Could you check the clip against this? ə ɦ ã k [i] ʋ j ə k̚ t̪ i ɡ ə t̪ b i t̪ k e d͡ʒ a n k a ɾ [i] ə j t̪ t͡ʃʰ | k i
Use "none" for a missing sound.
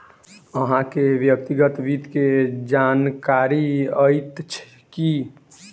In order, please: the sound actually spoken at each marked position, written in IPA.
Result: e, i

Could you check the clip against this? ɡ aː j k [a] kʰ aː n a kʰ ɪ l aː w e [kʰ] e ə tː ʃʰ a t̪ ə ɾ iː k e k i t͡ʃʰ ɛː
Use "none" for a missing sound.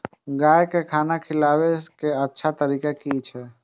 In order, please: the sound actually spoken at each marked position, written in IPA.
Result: e, k

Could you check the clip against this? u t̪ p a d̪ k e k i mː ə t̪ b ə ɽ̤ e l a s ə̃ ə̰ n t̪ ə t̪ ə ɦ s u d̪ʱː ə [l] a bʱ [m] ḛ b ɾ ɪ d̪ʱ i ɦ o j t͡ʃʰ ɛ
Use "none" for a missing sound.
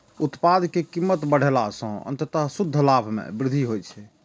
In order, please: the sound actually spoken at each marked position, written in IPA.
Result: l, m

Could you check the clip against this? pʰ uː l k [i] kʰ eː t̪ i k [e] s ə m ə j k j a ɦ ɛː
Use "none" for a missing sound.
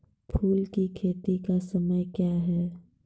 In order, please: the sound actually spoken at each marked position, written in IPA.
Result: i, a

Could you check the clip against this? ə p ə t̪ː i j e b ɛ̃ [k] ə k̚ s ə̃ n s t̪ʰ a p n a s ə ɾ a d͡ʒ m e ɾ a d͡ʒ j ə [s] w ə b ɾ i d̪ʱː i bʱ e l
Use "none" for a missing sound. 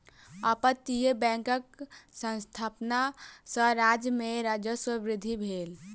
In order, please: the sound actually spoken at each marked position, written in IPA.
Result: k, s

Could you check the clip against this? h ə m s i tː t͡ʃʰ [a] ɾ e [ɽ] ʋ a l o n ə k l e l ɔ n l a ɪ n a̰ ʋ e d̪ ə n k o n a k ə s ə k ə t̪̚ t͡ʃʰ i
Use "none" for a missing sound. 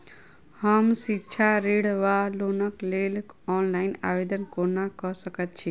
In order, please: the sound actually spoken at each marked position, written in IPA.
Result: a, ɽ

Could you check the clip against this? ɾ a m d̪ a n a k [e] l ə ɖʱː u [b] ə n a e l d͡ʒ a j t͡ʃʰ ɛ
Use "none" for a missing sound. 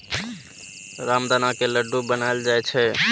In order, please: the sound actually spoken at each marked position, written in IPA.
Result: e, b

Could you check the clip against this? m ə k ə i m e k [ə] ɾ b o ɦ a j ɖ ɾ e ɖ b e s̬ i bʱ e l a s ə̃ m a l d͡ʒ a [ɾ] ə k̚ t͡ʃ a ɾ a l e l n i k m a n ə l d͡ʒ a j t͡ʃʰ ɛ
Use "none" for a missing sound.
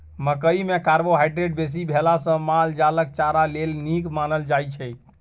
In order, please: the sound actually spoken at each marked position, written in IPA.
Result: a, l

